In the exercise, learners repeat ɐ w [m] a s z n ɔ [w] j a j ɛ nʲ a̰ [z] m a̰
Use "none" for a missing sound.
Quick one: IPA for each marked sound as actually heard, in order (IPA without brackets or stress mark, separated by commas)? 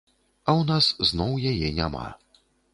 n, w, none